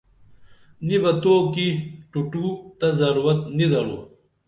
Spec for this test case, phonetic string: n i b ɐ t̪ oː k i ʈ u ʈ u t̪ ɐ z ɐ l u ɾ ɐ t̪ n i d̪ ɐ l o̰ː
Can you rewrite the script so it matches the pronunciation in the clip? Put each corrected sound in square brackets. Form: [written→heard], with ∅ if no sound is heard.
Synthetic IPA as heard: n i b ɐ t̪ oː k i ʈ u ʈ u t̪ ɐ z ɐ [l→ɾ] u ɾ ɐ t̪ n i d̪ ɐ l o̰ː